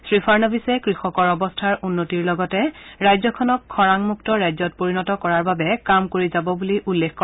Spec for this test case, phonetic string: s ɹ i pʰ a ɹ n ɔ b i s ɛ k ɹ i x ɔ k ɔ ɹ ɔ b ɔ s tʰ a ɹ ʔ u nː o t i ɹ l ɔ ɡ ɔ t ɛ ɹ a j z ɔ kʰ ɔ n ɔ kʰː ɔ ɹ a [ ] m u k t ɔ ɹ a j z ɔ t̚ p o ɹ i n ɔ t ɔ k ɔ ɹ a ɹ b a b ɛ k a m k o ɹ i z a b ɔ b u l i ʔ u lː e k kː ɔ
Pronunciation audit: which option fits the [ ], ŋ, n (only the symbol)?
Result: ŋ